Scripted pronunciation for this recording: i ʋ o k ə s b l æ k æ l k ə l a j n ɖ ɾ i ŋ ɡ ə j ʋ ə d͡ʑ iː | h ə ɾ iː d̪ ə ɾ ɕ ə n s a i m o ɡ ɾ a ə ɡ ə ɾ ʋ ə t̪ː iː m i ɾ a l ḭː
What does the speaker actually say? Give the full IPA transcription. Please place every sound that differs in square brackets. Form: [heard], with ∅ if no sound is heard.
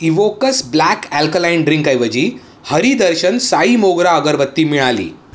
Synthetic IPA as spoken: i ʋ o k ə s b l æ k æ l k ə l a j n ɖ ɾ i ŋ [k] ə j ʋ ə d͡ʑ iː | h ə ɾ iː d̪ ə ɾ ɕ ə n s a i m o ɡ ɾ a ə ɡ ə ɾ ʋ ə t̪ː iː m i [ɭ] a l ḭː